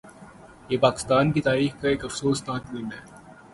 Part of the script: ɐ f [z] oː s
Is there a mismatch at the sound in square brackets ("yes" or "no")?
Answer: yes